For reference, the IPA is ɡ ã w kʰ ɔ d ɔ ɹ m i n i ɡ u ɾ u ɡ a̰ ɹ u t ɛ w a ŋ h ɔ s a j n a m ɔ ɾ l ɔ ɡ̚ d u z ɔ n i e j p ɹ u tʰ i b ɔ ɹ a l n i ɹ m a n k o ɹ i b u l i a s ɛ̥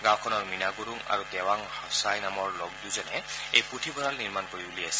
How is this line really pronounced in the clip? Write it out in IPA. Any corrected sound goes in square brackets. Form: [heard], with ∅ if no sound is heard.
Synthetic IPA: ɡ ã w kʰ ɔ [n] ɔ ɹ m i n [a] ɡ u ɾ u [ŋ] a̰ ɹ u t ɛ w a ŋ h ɔ s a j n a m ɔ [ɹ] l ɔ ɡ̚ d u z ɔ n [ɛ] e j p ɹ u tʰ i b ɔ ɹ a l n i ɹ m a n k o ɹ i b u l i a s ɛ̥